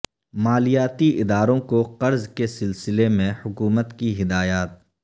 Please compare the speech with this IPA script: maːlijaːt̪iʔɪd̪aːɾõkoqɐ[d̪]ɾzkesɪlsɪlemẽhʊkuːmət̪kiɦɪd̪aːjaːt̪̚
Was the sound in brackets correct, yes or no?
no